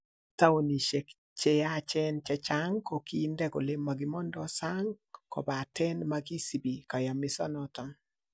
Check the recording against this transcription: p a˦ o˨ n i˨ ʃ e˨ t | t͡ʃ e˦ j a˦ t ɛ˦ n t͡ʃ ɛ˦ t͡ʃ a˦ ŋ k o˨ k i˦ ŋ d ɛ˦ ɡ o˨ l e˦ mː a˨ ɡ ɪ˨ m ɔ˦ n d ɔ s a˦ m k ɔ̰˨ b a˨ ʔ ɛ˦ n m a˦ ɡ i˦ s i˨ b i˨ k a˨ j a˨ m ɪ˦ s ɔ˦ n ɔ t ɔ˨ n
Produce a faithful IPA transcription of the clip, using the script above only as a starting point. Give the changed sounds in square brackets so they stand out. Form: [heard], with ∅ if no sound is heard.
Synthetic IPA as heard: [t] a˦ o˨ n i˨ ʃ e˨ [k] | t͡ʃ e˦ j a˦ [t͡ʃ] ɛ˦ n t͡ʃ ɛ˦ t͡ʃ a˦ ŋ k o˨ k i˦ [n] d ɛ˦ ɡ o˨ l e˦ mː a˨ ɡ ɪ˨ m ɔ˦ n d ɔ s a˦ [ŋ] k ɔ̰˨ b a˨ [t] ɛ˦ n m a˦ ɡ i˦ s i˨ b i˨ k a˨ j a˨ m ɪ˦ s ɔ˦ n ɔ t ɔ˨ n